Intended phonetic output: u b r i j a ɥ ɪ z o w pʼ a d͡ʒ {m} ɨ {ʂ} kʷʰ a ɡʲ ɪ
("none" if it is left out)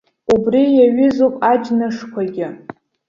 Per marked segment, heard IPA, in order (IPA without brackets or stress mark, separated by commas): n, ʂ